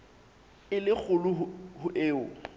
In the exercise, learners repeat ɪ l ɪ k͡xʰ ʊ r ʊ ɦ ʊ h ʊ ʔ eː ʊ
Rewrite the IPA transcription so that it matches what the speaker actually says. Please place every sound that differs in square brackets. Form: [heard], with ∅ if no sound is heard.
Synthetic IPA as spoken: ɪ l ɪ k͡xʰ ʊ [l] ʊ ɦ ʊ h ʊ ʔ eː ʊ